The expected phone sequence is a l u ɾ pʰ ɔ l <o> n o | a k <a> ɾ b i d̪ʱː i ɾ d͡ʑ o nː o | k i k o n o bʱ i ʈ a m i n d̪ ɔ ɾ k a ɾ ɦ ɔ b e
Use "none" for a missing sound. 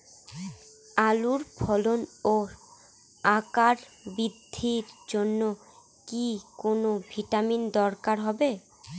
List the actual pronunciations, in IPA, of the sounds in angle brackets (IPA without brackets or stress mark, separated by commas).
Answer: o, a